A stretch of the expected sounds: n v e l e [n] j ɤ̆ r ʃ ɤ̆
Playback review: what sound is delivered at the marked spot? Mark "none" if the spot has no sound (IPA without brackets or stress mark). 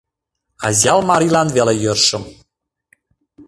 none